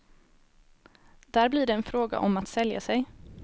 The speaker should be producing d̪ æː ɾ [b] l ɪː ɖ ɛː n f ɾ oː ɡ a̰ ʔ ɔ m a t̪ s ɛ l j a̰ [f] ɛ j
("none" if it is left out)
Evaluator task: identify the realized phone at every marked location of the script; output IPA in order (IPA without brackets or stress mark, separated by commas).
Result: b, s